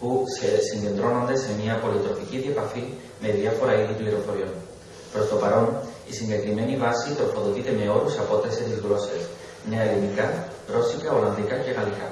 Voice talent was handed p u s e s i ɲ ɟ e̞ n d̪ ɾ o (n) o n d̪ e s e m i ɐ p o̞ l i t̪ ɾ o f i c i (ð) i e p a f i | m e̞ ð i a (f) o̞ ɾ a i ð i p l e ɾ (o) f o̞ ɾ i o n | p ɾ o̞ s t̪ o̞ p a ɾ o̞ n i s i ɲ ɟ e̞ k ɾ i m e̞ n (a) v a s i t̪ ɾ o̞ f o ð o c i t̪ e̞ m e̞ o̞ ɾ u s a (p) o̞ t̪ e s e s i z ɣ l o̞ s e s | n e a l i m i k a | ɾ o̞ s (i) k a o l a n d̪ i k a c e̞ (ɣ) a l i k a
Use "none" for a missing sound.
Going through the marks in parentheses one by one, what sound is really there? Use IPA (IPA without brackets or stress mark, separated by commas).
n, ð, f, o, i, p, i, ɣ